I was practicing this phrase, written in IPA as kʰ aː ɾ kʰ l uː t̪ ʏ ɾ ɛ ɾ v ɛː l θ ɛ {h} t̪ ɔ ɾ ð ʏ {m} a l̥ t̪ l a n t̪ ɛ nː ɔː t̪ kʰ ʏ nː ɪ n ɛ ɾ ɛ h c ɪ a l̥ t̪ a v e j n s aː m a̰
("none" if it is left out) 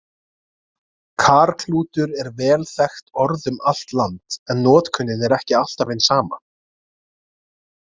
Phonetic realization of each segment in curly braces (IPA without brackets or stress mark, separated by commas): x, m